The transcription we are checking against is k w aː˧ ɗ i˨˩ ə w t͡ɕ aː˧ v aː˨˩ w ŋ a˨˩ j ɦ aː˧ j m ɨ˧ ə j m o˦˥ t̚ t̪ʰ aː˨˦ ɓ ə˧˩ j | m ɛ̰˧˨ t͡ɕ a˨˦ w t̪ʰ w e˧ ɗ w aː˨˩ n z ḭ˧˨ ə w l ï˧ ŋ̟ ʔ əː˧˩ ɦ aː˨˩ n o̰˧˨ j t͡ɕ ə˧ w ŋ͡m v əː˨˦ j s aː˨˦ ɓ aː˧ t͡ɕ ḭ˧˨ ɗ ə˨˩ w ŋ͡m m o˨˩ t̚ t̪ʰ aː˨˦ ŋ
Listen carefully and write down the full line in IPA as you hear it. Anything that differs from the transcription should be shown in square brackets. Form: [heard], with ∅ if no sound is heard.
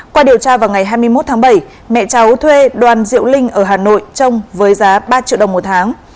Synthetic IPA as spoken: k w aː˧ ɗ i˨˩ ə w t͡ɕ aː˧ v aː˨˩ w ŋ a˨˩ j ɦ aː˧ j m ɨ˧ ə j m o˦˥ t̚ t̪ʰ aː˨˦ ɓ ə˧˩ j | m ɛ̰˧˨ t͡ɕ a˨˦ w t̪ʰ w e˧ ɗ w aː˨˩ n z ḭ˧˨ ə w l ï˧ ŋ̟ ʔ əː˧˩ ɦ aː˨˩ n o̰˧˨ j t͡ɕ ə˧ w ŋ͡m v əː˨˦ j [z] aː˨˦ ɓ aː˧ t͡ɕ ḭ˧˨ ɗ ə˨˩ w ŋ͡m m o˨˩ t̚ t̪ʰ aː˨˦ ŋ